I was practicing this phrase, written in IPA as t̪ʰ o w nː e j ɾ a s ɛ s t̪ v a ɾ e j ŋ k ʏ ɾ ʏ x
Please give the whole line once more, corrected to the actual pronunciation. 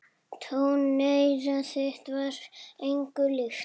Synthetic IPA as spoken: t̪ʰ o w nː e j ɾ a s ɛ h t̪ v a ɾ e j ŋ k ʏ l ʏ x

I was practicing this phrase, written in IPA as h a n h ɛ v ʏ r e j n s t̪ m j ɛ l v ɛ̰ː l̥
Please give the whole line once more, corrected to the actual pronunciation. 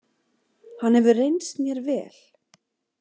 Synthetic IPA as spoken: h a n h ɛ v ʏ r e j n s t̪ m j ɛ ɾ v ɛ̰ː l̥

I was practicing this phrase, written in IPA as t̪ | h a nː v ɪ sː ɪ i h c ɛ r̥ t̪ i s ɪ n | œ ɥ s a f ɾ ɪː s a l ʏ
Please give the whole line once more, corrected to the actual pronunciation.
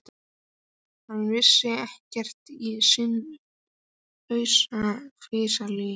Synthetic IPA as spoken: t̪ | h a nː v ɪ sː ɪ ɛ h c ɛ r̥ t̪ i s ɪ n | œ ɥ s a f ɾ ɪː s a l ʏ

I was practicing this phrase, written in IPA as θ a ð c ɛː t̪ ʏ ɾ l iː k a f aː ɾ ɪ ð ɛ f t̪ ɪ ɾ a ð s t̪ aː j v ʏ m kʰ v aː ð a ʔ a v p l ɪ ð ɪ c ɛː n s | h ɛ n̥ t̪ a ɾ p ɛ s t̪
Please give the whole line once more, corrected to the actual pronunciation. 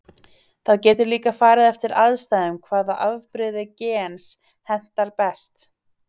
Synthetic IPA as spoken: θ a ð c ɛː t̪ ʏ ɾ l iː k a f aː ɾ ɪ ð ɛ f t̪ ɪ ɾ a ð s t̪ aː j ð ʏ m kʰ v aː ð a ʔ a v p ɾ ɪ ð ɪ c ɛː n s | h ɛ n̥ t̪ a ɾ p ɛ s t̪

